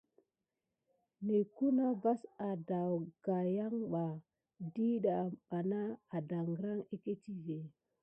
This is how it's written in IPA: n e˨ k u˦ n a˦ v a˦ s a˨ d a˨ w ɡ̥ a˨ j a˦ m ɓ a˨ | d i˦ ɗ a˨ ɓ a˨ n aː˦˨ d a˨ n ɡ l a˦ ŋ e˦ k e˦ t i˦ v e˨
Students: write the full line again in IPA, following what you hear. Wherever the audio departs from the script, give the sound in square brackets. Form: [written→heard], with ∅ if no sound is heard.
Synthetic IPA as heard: n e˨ k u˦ n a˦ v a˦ s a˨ d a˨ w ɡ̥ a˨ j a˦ [m→ŋ] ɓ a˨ | d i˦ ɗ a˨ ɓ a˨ n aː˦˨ d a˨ [n→ŋ] ɡ [l→ɾ] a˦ ŋ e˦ k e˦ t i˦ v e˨